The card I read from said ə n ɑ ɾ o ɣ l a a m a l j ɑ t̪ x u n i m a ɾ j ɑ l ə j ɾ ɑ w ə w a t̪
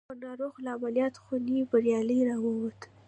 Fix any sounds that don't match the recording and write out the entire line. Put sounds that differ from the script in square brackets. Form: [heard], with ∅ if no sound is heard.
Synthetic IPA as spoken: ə n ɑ ɾ o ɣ l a a m a l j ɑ t̪ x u n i [b] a ɾ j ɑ l ə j ɾ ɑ w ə w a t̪